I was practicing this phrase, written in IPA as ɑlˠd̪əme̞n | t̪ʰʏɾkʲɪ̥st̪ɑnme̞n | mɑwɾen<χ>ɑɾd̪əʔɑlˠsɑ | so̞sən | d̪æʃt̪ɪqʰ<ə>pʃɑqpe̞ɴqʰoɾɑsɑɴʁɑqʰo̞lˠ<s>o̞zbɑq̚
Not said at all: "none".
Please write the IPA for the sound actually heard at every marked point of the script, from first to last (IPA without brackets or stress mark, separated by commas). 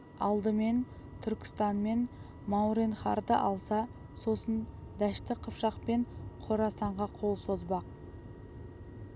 χ, ə, s